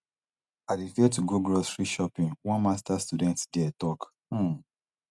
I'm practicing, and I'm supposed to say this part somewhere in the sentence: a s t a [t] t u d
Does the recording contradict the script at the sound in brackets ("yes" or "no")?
yes